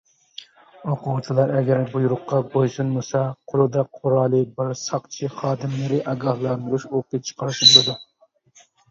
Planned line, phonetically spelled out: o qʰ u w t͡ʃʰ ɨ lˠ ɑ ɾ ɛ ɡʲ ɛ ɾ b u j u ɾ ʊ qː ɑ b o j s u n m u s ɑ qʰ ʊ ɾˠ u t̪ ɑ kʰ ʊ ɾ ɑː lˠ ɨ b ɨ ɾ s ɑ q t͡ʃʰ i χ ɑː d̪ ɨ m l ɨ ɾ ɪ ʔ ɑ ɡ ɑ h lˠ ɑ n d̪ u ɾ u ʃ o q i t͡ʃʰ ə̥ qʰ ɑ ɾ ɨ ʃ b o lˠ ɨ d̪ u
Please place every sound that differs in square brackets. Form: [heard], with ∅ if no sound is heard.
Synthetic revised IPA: o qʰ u w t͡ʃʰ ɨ lˠ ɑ ɾ ɛ ɡʲ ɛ ɾ b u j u ɾ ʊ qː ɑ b o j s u n m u s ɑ qʰ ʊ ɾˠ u [d̪] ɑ [qʰ] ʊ ɾ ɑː lˠ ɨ b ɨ ɾ s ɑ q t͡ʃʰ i χ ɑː d̪ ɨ m l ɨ ɾ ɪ ʔ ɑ ɡ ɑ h lˠ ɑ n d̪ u ɾ u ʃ o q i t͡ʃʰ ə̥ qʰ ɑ ɾ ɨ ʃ b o lˠ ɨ d̪ u